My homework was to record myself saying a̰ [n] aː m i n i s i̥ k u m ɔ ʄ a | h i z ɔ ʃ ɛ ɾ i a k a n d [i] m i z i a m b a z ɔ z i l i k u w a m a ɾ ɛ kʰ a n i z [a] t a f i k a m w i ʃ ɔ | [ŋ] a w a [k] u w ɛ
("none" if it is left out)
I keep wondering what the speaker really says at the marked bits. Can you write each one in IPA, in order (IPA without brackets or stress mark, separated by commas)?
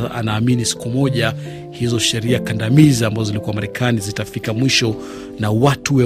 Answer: n, a, i, n, t